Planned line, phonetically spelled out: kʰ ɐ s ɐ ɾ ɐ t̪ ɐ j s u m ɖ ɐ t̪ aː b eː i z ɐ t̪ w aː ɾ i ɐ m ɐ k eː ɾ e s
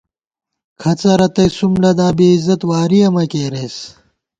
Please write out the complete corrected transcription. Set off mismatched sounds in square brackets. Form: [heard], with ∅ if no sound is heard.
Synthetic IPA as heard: kʰ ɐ [t͡s] ɐ ɾ ɐ t̪ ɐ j s u m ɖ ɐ [d̪] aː b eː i z ɐ t̪ w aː ɾ i ɐ m ɐ k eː ɾ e s